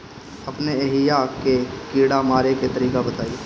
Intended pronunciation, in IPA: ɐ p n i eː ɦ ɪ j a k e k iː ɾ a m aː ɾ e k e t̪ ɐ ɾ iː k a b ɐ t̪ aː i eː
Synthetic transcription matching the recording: ɐ p n e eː ɦ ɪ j a k e k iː ɽ a m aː ɾ e k e t̪ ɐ ɾ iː k a b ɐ t̪ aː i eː

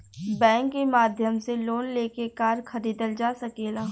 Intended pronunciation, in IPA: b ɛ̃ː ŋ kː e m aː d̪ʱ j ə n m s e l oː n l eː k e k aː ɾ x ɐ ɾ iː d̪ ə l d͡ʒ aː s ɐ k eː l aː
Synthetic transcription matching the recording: b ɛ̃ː ŋ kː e m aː d̪ʱ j ə m s e l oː n l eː k e k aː ɾ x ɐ ɾ iː d̪ ə l d͡ʒ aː s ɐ k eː l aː

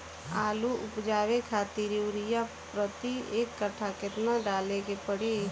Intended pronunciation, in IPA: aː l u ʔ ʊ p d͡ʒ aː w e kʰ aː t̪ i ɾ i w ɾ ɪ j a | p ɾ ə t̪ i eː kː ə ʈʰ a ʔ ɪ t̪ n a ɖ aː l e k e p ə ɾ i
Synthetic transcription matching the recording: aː l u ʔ ʊ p d͡ʒ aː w e kʰ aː t̪ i ɾ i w ɾ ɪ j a | p ɾ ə t̪ i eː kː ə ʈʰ a k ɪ t̪ n a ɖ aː l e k e p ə ɽ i

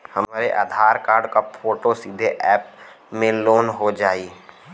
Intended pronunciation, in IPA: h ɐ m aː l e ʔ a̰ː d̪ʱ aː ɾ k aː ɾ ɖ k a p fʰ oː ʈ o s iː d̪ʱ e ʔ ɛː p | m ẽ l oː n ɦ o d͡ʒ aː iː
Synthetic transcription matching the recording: h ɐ m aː ɾ e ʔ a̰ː d̪ʱ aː ɾ k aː ɾ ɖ k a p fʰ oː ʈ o s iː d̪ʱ e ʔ ɛː p | m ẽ l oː n ɦ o d͡ʒ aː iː

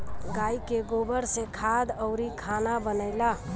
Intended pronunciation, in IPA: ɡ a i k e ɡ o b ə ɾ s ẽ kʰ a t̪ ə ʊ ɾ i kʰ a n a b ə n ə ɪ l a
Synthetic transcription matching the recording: ɡ a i k e ɡ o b ə ɾ s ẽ kʰ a d̪ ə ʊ ɾ i kʰ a n a b ə n ə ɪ l a

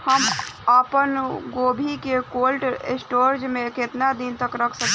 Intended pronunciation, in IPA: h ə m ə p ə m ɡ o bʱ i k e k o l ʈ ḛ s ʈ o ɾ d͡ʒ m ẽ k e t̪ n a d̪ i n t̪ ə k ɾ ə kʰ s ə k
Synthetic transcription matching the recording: h ə m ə p ə n ɡ o bʱ i k e k o l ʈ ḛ s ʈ o ɾ d͡ʒ m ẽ k e t̪ n a d̪ i n t̪ ə k ɾ ə kʰ s ə k

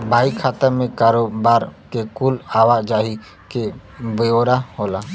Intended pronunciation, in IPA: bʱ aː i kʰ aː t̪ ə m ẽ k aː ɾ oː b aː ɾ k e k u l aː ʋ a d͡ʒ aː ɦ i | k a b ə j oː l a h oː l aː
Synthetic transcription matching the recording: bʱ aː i kʰ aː t̪ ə m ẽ k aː ɾ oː b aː ɾ k e k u l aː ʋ a d͡ʒ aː ɦ i | k e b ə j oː ɾ a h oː l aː

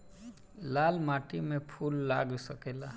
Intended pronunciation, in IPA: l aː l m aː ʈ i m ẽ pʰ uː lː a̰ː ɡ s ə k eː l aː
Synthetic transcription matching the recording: l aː l m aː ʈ i m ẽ pʰ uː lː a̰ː ɡ s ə k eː l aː

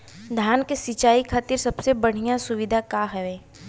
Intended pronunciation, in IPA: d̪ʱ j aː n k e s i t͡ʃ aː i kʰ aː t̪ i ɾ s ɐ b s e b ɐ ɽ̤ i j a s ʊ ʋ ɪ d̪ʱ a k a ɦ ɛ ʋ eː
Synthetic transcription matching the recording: d̪ʱ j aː n k e s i t͡ʃ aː i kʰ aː t̪ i ɾ s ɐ b s e b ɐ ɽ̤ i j a s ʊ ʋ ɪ d̪ʱ a k a ɦ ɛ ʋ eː

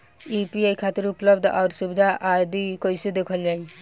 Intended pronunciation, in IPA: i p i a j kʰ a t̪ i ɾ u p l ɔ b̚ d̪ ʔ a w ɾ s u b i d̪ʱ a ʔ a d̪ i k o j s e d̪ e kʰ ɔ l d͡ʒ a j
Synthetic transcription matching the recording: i p i a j kʰ a t̪ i ɾ u p l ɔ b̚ d̪ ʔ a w ɾ s u b i d̪ʱ a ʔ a d̪ i k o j s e d̪ e kʰ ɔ l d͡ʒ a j

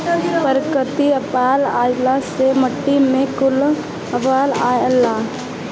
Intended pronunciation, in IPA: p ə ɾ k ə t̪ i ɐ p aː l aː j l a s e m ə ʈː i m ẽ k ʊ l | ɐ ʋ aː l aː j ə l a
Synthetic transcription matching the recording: p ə ɾ k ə t̪ i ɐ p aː l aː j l a s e m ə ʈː i m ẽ k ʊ l | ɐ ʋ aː l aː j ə l a

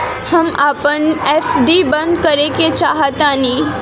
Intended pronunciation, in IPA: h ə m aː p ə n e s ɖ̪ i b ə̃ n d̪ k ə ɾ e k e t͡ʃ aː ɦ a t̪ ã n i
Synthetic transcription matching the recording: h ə m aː p ə n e f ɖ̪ i b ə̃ n d̪ k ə ɾ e k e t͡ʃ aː ɦ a t̪ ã n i

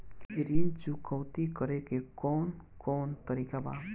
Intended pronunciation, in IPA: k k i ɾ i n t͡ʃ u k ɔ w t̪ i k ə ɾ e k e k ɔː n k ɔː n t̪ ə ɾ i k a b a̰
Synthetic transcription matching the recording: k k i ɾ i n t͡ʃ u k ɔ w t̪ i k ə ɾ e k e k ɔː n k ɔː n t̪ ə ɾ i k a b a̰

